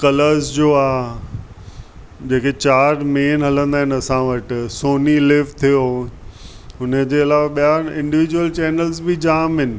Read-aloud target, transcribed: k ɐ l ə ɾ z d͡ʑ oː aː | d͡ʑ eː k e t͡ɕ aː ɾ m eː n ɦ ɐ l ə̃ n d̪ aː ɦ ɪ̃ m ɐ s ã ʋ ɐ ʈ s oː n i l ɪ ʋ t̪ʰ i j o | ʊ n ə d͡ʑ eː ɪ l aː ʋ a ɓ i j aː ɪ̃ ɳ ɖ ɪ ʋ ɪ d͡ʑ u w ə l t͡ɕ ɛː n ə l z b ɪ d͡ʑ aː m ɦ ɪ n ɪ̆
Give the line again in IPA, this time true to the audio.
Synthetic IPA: k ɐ l ə ɾ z d͡ʑ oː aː | d͡ʑ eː k e t͡ɕ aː ɾ m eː n ɦ ɐ l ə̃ n d̪ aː ɦ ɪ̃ n ɐ s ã ʋ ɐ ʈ s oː n i l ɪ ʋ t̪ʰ i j o | ʊ n ə d͡ʑ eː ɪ l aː ʋ a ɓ i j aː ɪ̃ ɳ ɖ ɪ ʋ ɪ d͡ʑ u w ə l t͡ɕ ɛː n ə l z b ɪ d͡ʑ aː m ɦ ɪ n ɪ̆